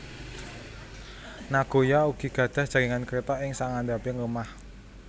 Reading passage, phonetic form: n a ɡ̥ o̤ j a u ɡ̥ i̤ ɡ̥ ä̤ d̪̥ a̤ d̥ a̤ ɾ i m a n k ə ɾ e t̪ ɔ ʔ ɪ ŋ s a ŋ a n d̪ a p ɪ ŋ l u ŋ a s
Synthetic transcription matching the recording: n a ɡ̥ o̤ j a u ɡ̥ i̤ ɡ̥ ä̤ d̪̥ a̤ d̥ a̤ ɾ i ŋ a n k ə ɾ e t̪ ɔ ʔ ɪ ŋ s a ŋ a n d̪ a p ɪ ŋ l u m a h